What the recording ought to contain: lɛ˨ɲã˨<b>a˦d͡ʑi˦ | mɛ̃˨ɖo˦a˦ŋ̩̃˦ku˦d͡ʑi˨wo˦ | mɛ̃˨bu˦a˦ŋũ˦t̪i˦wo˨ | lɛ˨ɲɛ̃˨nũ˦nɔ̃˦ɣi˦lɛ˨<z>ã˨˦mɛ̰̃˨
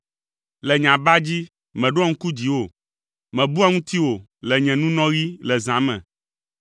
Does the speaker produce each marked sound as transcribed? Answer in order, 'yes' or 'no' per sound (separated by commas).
yes, yes